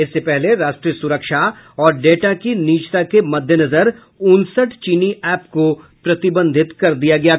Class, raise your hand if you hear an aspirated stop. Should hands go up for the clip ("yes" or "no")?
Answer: no